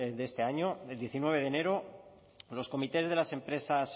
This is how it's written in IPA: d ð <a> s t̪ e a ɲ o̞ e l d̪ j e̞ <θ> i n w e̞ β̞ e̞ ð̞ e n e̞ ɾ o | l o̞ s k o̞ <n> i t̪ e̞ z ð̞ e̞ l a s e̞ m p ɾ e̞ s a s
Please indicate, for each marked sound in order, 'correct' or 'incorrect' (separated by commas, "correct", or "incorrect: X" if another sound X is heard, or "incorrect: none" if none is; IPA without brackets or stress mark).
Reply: incorrect: e, correct, incorrect: m